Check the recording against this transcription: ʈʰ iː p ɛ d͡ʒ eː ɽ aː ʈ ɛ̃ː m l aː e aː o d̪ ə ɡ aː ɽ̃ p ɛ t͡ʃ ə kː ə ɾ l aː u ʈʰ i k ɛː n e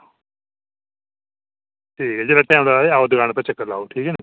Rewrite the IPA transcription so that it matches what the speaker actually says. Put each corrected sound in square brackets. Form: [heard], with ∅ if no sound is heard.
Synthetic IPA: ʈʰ iː [k] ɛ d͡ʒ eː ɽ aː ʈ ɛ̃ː m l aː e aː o d̪ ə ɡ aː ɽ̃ p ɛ t͡ʃ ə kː ə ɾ l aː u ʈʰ [iː] k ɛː n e